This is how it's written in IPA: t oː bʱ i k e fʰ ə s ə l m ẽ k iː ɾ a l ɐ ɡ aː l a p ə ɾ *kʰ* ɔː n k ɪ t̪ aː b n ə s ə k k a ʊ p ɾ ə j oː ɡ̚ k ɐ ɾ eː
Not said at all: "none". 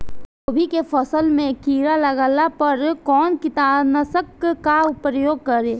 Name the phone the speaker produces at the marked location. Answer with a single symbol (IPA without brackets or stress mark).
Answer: k